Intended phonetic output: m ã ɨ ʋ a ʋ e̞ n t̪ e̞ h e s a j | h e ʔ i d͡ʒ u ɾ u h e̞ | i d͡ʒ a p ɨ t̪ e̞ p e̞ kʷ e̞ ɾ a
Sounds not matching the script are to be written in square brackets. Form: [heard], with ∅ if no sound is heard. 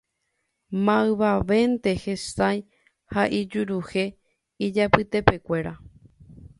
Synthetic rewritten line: m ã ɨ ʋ a ʋ e̞ n t̪ e̞ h e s a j | h [a] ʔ i d͡ʒ u ɾ u h e̞ | i d͡ʒ a p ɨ t̪ e̞ p e̞ kʷ e̞ ɾ a